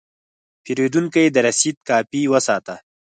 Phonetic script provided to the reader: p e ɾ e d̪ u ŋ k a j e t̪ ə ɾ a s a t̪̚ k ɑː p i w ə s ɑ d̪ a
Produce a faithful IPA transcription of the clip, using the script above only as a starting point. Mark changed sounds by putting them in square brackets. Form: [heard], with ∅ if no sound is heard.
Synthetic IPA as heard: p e ɾ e d̪ u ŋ k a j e [d̪] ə ɾ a s [i] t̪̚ k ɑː p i w ə s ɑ [t̪] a